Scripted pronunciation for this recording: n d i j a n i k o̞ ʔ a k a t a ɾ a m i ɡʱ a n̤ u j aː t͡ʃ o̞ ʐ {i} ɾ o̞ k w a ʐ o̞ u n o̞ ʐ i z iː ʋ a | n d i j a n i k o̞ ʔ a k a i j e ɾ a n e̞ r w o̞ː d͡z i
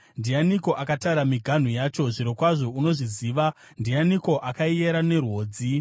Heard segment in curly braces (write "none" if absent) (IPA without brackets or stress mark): i